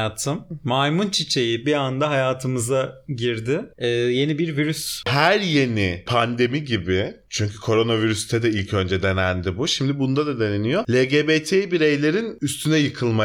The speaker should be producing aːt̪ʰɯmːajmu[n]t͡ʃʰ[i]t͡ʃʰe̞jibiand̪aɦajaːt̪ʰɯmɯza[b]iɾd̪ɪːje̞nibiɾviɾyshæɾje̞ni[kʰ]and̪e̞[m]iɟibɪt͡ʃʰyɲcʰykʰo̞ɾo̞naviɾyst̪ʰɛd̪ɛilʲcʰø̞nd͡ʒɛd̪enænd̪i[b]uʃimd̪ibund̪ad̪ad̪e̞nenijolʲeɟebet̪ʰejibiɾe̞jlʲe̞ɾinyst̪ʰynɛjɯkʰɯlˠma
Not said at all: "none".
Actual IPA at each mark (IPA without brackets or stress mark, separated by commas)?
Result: n, i, ɟ, pʰ, m, b